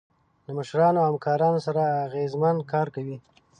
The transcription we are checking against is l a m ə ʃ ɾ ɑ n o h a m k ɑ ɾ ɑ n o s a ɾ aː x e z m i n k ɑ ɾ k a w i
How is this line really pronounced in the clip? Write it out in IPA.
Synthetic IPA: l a m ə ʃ ɾ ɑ n o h a m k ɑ ɾ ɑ n o s a ɾ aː ɣ e z m a n k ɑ ɾ k a w i